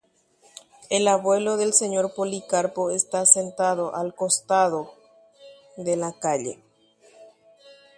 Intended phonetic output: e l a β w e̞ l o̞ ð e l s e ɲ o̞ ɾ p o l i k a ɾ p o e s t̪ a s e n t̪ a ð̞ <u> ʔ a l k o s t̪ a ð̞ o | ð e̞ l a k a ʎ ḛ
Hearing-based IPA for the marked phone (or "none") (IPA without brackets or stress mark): o